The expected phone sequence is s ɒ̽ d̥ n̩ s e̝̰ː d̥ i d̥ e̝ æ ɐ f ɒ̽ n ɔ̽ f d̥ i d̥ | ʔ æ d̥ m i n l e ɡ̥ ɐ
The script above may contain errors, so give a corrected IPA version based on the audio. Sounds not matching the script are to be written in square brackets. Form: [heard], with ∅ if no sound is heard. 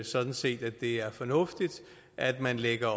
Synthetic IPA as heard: s ɒ̽ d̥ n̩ s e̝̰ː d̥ [æ] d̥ e̝ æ ɐ f ɒ̽ n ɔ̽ f d̥ i d̥ | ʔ æ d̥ m [æ] n l e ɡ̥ ɐ